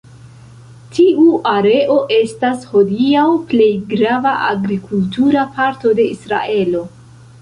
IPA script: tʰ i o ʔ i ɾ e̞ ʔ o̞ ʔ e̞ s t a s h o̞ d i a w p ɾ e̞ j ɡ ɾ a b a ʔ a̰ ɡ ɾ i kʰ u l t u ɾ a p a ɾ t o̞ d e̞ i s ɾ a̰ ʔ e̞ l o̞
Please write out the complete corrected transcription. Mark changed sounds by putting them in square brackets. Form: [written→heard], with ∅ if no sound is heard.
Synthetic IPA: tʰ i [o→u] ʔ [i→a] ɾ e̞ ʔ o̞ ʔ e̞ s t a s h o̞ d i a w p [ɾ→l] e̞ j ɡ ɾ a [b→v] a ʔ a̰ ɡ ɾ i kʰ u l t u ɾ a p a ɾ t o̞ d e̞ i s ɾ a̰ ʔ e̞ l o̞